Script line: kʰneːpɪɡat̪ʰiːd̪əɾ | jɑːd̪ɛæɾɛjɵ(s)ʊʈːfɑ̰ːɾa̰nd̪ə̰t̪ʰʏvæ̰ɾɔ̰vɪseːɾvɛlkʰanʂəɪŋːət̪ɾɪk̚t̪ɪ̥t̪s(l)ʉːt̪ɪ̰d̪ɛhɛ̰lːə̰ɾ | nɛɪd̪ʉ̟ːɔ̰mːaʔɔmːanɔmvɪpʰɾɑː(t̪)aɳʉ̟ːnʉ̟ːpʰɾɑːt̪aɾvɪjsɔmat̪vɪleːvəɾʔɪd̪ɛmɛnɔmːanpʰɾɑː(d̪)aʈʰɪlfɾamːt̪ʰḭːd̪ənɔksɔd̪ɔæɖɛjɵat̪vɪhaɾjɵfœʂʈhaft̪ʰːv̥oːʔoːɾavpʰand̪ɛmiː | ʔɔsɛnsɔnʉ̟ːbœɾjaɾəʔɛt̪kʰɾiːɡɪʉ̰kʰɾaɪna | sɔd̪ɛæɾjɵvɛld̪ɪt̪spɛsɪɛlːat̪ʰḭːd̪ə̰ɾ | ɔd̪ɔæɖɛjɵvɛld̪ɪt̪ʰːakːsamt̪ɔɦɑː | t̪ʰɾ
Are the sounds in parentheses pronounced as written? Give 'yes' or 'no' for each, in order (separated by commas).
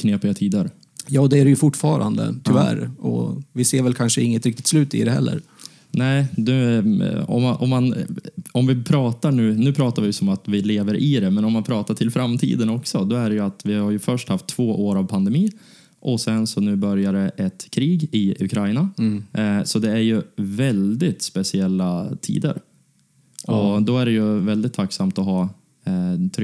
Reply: no, yes, yes, no